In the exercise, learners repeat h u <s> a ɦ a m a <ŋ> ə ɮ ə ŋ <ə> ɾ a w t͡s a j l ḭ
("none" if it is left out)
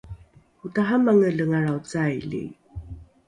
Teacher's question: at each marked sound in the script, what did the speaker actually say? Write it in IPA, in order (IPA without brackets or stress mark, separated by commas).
t, ŋ, a